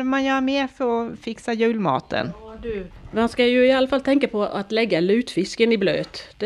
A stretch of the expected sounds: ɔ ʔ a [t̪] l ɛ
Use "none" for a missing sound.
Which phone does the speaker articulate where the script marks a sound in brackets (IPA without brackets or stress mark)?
t̪